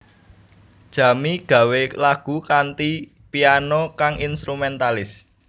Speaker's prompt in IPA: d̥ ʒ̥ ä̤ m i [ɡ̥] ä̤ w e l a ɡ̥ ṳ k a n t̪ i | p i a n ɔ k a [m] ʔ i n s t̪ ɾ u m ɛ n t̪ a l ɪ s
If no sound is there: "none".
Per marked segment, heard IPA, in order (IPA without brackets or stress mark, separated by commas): ɡ̥, ŋ